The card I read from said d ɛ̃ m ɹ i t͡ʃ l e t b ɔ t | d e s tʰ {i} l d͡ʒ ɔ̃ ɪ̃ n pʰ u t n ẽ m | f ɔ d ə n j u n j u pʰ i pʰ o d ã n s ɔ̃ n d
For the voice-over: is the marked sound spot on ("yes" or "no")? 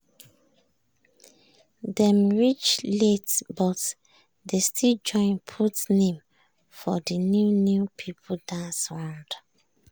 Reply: yes